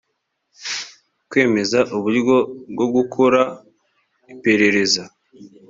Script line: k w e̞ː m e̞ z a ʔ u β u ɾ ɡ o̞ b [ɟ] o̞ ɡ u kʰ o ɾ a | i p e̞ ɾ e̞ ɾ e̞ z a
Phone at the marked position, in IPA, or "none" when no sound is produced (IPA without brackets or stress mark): ɡ